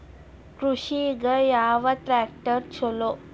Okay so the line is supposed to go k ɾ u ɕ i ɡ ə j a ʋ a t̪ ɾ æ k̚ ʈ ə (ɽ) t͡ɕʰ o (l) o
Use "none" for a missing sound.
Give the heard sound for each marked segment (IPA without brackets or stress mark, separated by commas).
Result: ɾ, l